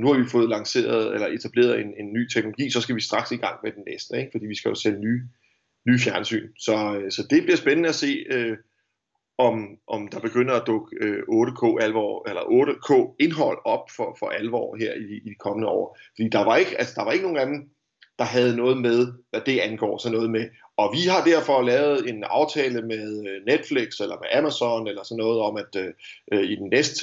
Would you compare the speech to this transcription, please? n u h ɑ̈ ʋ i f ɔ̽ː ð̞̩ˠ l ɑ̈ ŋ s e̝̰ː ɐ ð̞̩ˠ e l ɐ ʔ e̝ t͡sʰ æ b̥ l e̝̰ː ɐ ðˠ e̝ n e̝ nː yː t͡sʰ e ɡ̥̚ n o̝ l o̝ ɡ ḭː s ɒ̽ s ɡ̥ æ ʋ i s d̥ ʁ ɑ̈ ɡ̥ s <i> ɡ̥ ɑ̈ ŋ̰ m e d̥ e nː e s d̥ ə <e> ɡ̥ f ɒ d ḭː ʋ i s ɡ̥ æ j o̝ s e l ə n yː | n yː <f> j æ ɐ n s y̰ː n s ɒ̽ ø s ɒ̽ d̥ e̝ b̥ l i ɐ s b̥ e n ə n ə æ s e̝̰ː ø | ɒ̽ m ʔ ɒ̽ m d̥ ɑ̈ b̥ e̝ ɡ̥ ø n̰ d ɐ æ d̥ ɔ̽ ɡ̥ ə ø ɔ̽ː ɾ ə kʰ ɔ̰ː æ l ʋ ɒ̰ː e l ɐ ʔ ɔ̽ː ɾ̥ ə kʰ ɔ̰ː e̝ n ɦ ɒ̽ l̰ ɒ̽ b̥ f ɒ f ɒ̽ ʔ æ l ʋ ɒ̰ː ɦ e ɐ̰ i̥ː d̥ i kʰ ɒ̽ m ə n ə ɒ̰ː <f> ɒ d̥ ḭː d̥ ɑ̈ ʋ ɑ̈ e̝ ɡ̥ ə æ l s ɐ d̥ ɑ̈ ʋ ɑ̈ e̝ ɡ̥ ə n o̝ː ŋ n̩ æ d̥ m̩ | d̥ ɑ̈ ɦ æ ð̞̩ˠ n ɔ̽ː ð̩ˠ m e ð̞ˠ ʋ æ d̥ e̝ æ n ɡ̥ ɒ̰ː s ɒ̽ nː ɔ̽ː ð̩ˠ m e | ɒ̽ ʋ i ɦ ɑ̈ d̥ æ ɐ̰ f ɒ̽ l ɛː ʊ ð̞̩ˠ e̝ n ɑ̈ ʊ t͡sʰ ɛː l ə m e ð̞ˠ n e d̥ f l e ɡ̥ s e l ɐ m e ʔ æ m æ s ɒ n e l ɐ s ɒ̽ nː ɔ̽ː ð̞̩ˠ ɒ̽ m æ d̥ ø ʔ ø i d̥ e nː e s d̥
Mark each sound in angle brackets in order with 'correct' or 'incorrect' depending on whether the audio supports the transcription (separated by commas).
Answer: correct, correct, correct, correct